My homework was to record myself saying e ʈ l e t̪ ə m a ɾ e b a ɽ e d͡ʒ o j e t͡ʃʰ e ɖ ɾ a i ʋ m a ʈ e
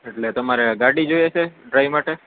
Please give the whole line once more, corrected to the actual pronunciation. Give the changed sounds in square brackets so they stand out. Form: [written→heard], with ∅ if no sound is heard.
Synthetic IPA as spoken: e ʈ l e t̪ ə m a ɾ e [b→ɡ] a ɽ [e→i] d͡ʒ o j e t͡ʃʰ e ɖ ɾ a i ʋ m a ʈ e